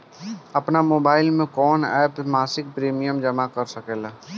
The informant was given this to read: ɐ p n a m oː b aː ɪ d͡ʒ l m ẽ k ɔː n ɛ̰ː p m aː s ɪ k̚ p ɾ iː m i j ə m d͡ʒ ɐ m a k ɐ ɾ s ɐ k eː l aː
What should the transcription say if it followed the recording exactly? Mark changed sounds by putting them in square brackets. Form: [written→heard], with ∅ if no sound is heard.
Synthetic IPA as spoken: ɐ p n a m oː b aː ɪ [d͡ʒ→∅] l m ẽ k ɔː n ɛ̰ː p m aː s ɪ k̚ p ɾ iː m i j ə m d͡ʒ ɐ m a k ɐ ɾ s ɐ k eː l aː